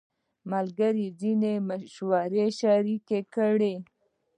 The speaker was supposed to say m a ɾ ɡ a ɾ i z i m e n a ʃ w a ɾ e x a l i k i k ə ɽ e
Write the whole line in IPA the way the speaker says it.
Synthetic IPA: m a l ɡ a ɾ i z i n e m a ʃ w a ɾ e ʃ a ɾ i k e k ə ɽ e